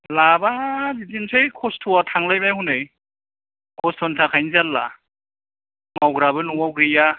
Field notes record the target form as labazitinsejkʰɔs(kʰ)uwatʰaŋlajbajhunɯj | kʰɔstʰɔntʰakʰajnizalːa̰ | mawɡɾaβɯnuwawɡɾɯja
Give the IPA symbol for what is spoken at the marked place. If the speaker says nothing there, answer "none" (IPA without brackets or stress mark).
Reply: tʰ